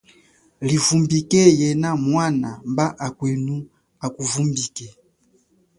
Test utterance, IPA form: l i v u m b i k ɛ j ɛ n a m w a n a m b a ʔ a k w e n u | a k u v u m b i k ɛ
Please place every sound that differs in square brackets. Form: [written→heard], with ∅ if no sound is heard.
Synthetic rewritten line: l i v u m b i k ɛ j ɛ n a m w a n a m b a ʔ a k w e n u | a k u v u m b i k ɛ